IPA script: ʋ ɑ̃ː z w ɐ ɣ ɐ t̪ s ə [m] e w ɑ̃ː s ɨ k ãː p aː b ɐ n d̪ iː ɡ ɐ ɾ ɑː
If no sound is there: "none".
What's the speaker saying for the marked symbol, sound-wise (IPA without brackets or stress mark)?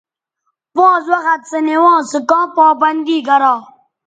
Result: n